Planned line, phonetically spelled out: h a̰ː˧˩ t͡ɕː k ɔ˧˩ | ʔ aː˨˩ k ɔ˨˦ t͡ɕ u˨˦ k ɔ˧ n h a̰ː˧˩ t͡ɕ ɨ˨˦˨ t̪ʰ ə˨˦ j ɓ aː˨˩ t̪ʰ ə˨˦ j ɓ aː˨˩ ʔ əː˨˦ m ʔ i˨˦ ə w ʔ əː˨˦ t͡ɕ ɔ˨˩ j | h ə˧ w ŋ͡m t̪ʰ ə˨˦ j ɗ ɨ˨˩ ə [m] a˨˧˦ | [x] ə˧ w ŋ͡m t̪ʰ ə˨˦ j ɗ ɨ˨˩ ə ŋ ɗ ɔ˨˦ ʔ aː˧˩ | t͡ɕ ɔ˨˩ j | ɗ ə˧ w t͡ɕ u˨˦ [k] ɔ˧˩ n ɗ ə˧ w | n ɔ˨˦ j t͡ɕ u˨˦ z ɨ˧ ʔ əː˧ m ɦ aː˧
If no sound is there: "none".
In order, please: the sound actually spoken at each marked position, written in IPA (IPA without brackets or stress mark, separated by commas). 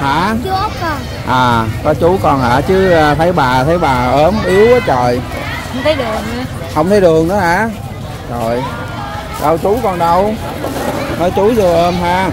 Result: ŋ, h, k